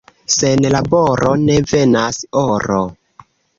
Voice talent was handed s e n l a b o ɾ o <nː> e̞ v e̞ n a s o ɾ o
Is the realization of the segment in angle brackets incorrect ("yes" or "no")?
yes